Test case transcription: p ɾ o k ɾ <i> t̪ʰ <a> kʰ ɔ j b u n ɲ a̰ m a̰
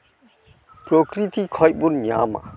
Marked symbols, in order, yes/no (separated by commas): yes, no